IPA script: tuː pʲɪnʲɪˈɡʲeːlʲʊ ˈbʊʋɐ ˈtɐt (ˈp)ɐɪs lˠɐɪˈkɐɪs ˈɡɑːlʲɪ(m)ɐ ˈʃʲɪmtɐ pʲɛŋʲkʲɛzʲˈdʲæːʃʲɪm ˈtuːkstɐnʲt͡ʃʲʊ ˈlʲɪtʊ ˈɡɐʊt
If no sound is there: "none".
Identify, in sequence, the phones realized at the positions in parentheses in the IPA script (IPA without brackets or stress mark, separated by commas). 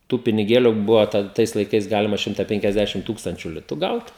t, m